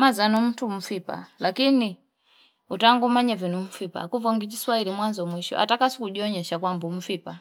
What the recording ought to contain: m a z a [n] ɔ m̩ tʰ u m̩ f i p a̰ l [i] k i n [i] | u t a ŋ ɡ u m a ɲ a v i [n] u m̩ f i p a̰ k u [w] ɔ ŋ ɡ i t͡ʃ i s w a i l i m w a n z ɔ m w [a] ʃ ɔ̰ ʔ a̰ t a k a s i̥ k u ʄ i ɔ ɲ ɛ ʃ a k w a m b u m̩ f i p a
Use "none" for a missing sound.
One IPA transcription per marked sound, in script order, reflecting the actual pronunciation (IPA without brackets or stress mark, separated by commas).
n, a, i, n, v, i